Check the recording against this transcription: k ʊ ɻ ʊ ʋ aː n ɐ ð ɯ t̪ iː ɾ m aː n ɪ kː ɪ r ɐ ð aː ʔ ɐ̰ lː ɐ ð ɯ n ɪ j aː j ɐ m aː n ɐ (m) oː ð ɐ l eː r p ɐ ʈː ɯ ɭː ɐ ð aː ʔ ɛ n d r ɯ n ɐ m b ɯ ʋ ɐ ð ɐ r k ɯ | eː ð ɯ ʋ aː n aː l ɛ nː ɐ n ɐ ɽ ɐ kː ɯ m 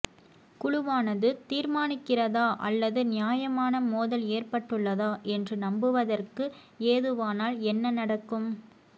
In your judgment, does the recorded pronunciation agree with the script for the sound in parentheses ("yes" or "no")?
yes